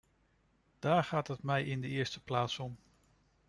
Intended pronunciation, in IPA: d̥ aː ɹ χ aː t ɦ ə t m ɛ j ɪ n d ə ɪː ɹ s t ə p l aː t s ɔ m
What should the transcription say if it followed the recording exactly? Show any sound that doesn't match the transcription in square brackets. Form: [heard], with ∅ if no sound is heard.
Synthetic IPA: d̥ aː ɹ χ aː t ɦ ə t m ɛ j ɪ n d ə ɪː ɹ s t ə p l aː t s ɔ m